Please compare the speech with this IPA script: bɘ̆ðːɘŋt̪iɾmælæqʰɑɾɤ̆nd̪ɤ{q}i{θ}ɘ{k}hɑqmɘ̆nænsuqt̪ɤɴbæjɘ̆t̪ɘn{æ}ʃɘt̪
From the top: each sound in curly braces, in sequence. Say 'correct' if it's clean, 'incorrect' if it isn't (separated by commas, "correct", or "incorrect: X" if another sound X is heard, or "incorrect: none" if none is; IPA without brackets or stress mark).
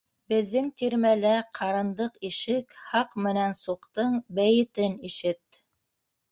correct, incorrect: ʃ, correct, incorrect: i